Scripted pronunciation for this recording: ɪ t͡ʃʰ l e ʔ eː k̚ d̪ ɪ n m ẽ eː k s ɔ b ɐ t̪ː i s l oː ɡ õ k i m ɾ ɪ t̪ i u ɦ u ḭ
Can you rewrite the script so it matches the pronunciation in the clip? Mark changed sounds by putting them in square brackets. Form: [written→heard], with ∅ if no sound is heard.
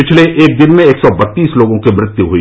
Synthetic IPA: ɪ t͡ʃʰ l e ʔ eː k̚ d̪ ɪ n m ẽ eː k s ɔ b ɐ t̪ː [i→iː] s l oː ɡ õ k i m ɾ ɪ t̪ [i→j] u ɦ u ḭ